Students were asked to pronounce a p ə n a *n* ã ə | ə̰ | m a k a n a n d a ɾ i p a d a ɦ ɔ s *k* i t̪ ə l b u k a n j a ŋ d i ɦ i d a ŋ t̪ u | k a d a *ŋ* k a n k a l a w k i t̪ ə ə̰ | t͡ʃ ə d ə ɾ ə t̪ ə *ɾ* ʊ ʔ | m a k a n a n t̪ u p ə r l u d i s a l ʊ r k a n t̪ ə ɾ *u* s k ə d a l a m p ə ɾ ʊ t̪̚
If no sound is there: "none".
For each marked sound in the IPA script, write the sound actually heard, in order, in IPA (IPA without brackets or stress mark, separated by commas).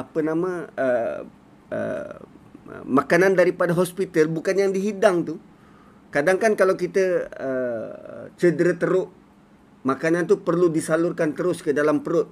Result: m, p, ŋ, ɾ, ʊ